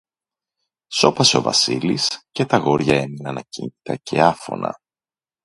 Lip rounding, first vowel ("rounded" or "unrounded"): rounded